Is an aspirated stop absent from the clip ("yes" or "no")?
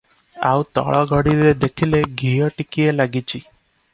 no